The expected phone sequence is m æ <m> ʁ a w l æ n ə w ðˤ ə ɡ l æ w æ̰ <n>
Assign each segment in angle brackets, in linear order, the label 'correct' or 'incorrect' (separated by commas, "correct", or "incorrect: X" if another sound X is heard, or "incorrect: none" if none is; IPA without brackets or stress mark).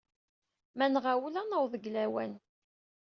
incorrect: n, correct